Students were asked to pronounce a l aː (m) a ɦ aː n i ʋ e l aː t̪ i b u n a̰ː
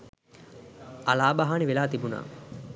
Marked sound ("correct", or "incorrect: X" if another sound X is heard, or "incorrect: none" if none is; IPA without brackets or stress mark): incorrect: b